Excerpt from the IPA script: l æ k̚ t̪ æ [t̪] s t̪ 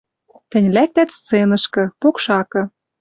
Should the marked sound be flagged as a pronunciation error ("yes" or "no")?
no